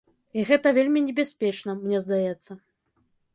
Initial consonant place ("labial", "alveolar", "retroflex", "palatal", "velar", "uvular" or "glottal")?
velar